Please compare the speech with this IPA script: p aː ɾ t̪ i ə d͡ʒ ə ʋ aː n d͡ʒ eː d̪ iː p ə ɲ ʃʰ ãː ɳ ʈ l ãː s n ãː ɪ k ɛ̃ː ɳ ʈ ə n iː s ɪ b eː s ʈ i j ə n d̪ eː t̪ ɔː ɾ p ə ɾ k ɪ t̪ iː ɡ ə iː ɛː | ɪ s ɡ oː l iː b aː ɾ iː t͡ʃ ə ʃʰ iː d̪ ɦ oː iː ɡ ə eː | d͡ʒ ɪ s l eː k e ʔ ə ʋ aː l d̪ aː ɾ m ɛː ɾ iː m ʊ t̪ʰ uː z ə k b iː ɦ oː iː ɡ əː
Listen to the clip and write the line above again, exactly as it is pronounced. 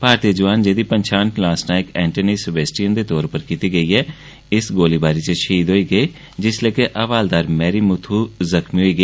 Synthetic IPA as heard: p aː ɾ t̪ i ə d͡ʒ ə ʋ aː n d͡ʒ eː d̪ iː p ə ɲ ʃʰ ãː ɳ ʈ l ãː s n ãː ɪ k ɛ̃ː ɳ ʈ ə n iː s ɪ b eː s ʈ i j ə n d̪ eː t̪ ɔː ɾ p ə ɾ k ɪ t̪ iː ɡ ə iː ɛː | ɪ s ɡ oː l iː b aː ɾ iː t͡ʃ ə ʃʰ iː d̪ ɦ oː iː ɡ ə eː | d͡ʒ ɪ s l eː k e ʔ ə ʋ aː l d̪ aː ɾ m ɛː ɾ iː m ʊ t̪ʰ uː z ə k m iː ɦ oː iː ɡ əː

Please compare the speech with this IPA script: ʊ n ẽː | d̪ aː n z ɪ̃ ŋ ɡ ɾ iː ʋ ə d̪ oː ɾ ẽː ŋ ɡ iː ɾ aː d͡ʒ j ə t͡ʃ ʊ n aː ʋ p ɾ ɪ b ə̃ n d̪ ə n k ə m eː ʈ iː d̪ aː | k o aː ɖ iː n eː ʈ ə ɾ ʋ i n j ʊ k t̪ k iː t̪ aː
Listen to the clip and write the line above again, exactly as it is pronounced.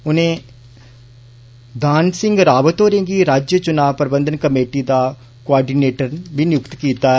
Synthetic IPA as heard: ʊ n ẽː | d̪ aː n s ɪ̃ ŋ ɡ ɾ aː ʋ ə t̪ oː ɾ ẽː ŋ ɡ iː ɾ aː d͡ʒ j ə t͡ʃ ʊ n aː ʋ p ɾ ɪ b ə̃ n d̪ ə n k ə m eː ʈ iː d̪ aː | k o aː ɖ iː n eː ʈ ə ɾ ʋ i n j ʊ k t̪ k iː t̪ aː

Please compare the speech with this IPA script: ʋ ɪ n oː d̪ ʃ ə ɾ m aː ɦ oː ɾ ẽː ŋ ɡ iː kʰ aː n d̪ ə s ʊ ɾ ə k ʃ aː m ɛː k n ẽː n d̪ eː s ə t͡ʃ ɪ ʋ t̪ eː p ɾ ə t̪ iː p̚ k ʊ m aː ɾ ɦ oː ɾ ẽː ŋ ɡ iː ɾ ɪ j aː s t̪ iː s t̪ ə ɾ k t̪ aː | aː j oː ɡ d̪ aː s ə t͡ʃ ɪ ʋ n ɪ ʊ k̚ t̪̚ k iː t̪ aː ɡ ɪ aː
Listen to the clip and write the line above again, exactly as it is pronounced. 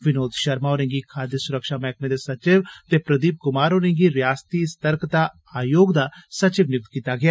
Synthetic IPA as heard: ʋ ɪ n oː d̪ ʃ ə ɾ m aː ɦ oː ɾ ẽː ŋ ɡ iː kʰ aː d̪ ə s ʊ ɾ ə k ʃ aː m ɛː k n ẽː d̪ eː s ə t͡ʃ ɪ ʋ t̪ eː p ɾ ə d̪ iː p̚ k ʊ m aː ɾ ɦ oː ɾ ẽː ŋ ɡ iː ɾ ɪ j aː s t̪ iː s t̪ ə ɾ k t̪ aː | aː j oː ɡ d̪ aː s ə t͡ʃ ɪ ʋ n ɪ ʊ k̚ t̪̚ k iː t̪ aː ɡ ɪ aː

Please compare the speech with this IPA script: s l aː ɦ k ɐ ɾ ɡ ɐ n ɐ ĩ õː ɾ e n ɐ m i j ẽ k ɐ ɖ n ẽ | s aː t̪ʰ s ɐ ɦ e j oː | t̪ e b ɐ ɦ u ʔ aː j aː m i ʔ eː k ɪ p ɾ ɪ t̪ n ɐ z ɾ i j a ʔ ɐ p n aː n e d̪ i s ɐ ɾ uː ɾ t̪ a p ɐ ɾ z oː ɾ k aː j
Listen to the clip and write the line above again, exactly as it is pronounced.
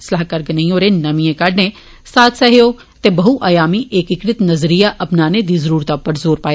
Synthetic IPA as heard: s l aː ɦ k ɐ ɾ ɡ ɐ n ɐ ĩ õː ɾ e n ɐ m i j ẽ k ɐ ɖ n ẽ | s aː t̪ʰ s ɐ ɦ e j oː | t̪ e b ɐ ɦ u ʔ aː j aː m i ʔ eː k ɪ k ɾ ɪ t̪ n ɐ z ɾ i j a ʔ ɐ p n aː n e d̪ i z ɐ ɾ uː ɾ t̪ a p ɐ ɾ z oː ɾ p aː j

